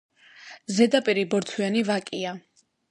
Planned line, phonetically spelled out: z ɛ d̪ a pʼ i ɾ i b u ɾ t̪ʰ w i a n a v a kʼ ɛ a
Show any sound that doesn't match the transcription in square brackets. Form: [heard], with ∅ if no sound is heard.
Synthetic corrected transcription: z ɛ d̪ a pʼ i ɾ i b [ɔ] ɾ t̪ʰ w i a n [i] v a kʼ [i] a

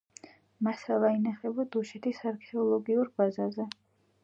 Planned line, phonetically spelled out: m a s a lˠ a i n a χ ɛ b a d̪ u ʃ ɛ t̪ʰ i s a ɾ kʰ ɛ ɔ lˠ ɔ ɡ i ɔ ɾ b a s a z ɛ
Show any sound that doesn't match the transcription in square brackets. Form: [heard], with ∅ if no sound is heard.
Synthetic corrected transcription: m a s a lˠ a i n a χ ɛ b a d̪ u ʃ ɛ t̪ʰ i s a ɾ kʰ ɛ ɔ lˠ ɔ ɡ i [u] ɾ b a [z] a z ɛ

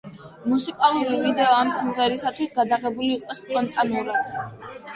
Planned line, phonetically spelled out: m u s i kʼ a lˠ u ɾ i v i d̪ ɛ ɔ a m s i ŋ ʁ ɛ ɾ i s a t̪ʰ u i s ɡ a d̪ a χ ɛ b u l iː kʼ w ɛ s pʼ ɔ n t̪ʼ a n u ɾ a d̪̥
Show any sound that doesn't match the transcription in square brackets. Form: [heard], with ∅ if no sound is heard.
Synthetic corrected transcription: m u s i kʼ a lˠ u ɾ i v i d̪ ɛ ɔ a m s i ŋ ʁ ɛ ɾ i s a t̪ʰ [w] i s ɡ a d̪ a [ʁ] ɛ b u l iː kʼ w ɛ s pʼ ɔ n t̪ʼ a n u ɾ a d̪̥

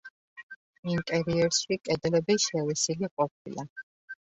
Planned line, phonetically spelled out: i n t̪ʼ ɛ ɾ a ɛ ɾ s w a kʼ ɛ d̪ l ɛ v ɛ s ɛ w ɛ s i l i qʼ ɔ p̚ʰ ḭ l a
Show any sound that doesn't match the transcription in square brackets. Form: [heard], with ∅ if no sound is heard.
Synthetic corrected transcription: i n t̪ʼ ɛ ɾ [i] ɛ ɾ s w [i] kʼ ɛ d̪ l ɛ [b] ɛ [ʃ] ɛ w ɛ s i l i qʼ ɔ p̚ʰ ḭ l a

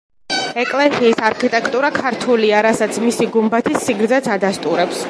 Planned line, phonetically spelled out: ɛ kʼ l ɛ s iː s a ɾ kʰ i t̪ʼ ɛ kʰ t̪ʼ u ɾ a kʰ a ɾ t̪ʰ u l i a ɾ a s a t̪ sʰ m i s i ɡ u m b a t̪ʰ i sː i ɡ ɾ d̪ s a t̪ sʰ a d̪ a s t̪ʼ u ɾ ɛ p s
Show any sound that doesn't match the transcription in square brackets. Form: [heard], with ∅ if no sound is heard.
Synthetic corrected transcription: ɛ kʼ l ɛ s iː s a ɾ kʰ i t̪ʼ ɛ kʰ t̪ʼ u ɾ a kʰ a ɾ t̪ʰ u l i a ɾ a s a t̪ sʰ m i s i ɡ u m b a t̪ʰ i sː i ɡ ɾ d̪ [z] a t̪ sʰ a d̪ a s t̪ʼ u ɾ ɛ p s

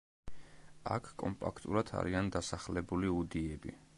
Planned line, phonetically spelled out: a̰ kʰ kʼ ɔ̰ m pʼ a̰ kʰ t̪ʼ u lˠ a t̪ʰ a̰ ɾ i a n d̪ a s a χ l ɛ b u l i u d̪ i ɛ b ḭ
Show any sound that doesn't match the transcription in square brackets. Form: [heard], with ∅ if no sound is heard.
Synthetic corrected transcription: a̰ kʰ kʼ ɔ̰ m pʼ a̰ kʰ t̪ʼ u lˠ a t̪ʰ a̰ ɾ i a n d̪ a s a χ l ɛ b u l i u d̪ i ɛ b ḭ

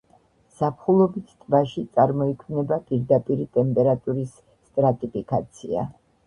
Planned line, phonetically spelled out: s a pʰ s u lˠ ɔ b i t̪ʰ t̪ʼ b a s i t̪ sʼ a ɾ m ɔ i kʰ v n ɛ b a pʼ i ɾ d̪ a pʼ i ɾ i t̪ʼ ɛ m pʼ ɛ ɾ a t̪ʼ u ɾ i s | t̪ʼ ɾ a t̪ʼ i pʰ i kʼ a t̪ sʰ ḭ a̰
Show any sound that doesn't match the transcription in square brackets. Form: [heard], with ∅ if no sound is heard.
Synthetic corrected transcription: s a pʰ [χ] u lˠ ɔ b i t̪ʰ t̪ʼ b a [ʃ] i t̪ sʼ a ɾ m ɔ i kʰ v n ɛ b a pʼ i ɾ d̪ a pʼ i ɾ i t̪ʼ ɛ m pʼ ɛ ɾ a t̪ʼ u ɾ i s | t̪ʼ ɾ a t̪ʼ i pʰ i kʼ a t̪ sʰ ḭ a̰

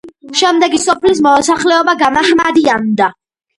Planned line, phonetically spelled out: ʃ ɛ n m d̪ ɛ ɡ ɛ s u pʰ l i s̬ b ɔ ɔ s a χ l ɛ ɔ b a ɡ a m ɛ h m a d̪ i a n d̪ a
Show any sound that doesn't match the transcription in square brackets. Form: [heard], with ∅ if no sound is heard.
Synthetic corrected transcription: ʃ ɛ [∅] m d̪ ɛ ɡ [i] s [ɔ] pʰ l i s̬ [m] ɔ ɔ s a χ l ɛ ɔ b a ɡ a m [a] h m a d̪ i a n d̪ a

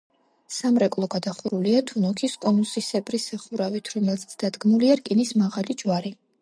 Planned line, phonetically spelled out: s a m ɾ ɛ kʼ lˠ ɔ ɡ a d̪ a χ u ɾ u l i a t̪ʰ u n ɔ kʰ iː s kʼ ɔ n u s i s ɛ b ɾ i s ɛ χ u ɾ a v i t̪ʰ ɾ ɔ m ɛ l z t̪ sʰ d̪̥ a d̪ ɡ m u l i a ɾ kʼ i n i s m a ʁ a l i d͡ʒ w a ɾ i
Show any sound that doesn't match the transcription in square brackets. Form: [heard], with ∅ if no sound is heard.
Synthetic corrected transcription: s a m ɾ ɛ kʼ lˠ ɔ ɡ a d̪ a χ u ɾ u l i a t̪ʰ u n ɔ kʰ [i] s kʼ ɔ n u s i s ɛ b ɾ i s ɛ χ u ɾ a v i t̪ʰ ɾ ɔ m ɛ l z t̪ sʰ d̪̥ a d̪ ɡ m u l i a ɾ kʼ i n i s m a ʁ a l i d͡ʒ w a ɾ i

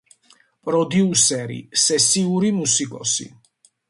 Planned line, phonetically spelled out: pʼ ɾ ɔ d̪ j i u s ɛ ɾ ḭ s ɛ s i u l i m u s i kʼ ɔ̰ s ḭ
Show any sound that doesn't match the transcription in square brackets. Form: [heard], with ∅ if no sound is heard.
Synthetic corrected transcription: pʼ ɾ ɔ d̪ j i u s ɛ ɾ ḭ s ɛ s i u [ɾ] i m u s i kʼ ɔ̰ s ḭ

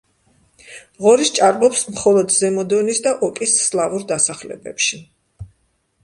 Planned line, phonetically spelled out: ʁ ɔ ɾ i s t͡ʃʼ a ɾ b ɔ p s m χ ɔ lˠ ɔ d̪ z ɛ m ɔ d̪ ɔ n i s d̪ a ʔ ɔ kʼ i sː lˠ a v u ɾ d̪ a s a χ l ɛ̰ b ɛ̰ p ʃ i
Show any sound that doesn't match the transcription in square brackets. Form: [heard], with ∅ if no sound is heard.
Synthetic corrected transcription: ʁ ɔ ɾ i s t͡ʃʼ a ɾ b ɔ p s m χ ɔ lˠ ɔ d̪ z ɛ m ɔ d̪ ɔ n i s d̪ a ʔ ɔ kʼ i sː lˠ a v u ɾ d̪ a s a χ l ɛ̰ b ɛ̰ p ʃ i

